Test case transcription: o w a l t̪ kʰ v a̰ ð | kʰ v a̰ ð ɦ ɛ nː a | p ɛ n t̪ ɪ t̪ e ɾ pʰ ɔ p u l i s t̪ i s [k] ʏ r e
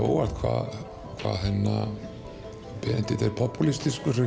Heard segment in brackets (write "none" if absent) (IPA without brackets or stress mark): k